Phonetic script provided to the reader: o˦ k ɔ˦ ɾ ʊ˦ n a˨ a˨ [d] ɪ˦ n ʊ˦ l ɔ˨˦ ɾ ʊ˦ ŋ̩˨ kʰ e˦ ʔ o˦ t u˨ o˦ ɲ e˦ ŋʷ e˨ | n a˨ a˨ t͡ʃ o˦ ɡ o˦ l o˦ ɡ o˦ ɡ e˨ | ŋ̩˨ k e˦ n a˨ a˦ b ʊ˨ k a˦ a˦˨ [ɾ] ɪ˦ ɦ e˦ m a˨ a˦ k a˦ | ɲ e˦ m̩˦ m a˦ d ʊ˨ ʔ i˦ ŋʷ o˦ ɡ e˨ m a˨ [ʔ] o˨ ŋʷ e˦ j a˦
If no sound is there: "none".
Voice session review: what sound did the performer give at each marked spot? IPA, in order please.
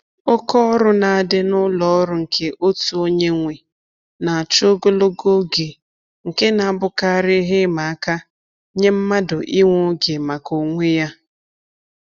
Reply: d, ɾ, k

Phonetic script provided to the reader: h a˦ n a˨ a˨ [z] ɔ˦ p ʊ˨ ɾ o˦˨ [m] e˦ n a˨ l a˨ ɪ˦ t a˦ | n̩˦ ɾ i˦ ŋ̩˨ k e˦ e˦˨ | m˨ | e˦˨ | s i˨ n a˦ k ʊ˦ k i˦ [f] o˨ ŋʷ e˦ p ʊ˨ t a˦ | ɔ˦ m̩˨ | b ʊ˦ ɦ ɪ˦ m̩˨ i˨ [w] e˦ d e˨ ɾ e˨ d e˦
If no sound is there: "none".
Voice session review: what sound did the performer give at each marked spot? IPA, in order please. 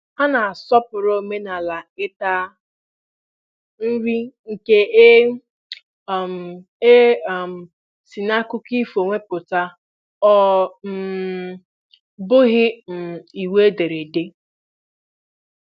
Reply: s, m, f, w

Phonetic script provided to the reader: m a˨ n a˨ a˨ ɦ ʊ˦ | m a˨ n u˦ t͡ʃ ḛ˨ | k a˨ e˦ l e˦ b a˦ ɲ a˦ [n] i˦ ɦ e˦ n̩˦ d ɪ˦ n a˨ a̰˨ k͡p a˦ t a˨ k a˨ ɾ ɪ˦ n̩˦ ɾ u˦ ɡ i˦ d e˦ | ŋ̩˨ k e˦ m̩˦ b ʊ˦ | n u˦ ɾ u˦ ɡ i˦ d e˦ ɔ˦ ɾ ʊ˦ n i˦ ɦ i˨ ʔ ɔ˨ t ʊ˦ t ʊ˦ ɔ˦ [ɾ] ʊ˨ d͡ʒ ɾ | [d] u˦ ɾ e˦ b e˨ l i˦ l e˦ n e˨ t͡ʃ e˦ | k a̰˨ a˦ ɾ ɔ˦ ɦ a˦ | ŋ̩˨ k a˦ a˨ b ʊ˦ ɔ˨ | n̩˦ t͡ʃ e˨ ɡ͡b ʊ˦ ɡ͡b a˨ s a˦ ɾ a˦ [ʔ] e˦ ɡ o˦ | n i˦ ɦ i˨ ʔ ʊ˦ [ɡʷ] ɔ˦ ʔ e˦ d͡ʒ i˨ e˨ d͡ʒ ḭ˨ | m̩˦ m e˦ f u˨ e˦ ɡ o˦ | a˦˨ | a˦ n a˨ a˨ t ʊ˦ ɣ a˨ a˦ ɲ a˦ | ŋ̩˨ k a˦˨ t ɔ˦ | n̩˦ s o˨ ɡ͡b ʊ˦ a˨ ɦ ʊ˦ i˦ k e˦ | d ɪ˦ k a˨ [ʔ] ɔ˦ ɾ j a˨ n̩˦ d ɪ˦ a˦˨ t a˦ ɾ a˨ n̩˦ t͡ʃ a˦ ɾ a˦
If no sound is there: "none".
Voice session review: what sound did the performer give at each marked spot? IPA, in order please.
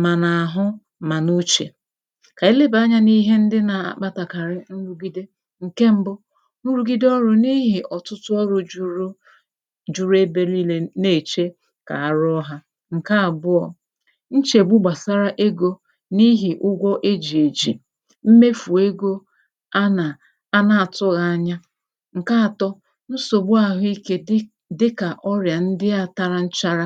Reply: n, ɾ, d͡ʒ, ʔ, ɡʷ, ʔ

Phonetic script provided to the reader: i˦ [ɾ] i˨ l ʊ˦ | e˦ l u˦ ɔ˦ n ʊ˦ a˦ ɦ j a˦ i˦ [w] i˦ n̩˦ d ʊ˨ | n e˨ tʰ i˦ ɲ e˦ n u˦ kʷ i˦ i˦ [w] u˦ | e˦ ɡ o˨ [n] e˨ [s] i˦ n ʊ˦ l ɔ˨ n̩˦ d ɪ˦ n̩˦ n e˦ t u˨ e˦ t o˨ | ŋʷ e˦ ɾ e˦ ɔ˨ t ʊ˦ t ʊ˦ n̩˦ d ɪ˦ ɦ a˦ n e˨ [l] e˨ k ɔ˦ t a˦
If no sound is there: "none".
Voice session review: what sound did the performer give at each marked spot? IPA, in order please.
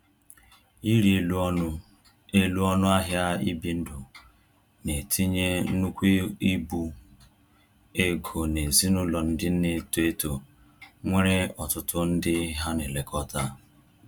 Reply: ɾ, b, b, n, z, l

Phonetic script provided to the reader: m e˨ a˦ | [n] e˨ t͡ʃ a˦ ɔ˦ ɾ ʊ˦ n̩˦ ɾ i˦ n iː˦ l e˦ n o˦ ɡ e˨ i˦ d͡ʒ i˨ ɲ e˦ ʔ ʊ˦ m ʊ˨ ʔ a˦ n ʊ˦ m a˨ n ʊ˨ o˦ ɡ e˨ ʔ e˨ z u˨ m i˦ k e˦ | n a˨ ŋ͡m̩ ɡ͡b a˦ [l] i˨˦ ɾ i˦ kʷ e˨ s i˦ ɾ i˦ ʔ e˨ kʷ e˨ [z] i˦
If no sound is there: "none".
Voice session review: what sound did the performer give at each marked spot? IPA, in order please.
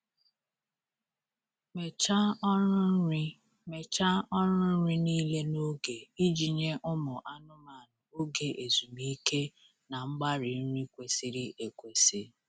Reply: m, ɾ, s

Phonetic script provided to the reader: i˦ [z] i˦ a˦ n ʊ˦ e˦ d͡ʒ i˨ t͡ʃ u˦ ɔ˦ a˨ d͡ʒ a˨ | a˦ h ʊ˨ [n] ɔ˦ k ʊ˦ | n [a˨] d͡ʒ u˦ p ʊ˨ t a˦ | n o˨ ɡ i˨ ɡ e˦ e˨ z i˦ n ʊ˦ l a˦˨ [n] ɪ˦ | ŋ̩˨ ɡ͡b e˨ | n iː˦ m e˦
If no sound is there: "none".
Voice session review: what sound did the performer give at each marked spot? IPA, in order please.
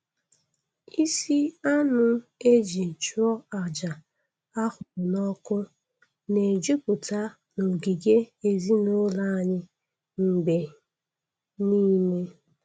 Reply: s, n, e˨, ɲ

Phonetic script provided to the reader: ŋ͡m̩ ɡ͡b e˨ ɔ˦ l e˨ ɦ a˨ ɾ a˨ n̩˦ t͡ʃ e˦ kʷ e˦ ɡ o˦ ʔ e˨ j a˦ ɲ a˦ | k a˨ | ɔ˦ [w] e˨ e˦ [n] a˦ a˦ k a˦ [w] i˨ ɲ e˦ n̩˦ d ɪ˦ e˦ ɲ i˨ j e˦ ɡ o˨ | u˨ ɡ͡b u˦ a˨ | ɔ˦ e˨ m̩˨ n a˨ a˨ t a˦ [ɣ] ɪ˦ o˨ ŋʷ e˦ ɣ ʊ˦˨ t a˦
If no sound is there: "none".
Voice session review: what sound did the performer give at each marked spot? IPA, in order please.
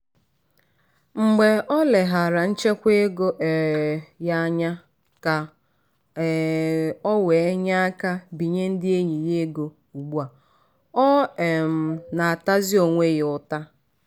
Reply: w, ɲ, b, z

